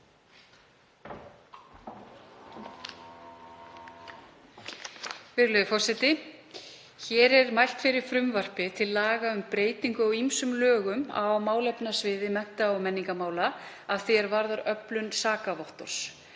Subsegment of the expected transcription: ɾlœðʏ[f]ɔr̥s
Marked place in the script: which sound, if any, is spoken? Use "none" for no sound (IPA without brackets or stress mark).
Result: f